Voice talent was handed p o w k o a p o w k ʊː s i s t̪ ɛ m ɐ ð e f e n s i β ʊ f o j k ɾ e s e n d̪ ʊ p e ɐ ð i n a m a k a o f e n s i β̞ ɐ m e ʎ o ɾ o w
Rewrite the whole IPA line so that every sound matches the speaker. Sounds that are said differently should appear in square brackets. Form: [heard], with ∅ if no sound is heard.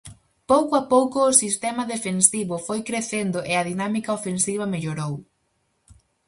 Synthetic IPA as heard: p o w k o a p o w k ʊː s i s t̪ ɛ m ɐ ð e f e n s i β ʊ f o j k ɾ e [θ] e n d̪ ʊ [ʔ] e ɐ ð i n a m [i] k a o f e n s i β̞ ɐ m e ʎ o ɾ o w